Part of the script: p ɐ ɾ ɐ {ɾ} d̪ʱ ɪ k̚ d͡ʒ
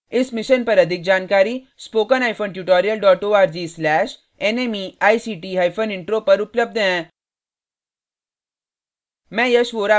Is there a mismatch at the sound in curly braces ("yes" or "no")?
yes